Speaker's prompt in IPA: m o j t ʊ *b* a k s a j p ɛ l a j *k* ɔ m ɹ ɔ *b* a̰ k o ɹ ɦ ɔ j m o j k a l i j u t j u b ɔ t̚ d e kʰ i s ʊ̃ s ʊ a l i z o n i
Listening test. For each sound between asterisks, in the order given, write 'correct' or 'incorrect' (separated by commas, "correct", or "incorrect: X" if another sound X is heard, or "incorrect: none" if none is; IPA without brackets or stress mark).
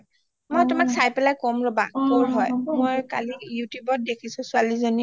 incorrect: m, correct, correct